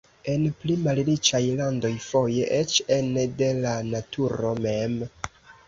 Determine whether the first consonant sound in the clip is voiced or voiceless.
voiced